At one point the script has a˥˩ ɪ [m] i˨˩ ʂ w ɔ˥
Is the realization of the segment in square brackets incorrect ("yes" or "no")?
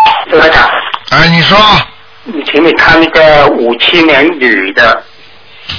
yes